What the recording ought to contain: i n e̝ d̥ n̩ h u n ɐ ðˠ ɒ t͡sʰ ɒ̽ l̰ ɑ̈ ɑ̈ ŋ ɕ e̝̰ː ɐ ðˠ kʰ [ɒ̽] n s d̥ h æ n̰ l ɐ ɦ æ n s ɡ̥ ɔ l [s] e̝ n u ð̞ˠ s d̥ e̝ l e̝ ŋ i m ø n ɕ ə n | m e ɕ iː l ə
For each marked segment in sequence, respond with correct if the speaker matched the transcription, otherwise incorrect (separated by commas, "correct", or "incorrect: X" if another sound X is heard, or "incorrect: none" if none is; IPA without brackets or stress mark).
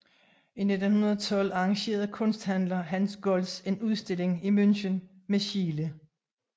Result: incorrect: ɔ̽, correct